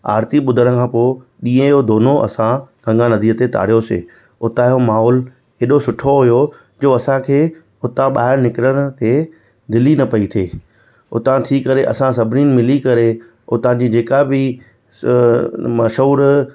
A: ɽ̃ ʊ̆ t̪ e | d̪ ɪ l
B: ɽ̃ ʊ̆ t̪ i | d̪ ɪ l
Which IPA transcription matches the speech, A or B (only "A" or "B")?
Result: A